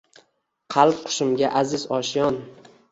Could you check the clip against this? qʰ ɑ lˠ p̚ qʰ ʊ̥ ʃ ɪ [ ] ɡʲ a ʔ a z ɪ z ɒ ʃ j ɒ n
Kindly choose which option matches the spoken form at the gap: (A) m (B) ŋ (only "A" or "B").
A